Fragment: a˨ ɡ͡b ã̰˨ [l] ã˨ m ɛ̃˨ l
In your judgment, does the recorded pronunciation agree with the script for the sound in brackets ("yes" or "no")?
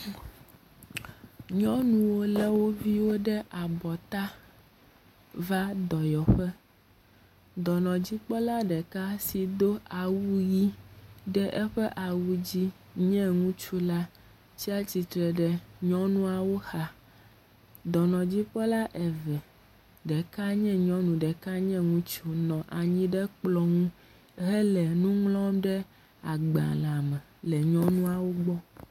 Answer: yes